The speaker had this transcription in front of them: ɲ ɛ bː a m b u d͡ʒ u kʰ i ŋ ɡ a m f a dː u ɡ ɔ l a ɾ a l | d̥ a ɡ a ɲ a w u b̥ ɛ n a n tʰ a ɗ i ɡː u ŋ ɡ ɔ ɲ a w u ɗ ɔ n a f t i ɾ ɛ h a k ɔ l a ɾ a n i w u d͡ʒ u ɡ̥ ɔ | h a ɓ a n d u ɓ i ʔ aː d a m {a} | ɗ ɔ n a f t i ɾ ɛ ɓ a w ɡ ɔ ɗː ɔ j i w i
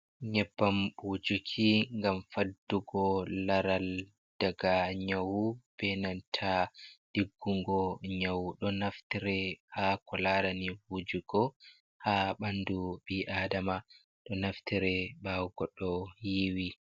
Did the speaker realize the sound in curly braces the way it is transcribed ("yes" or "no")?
yes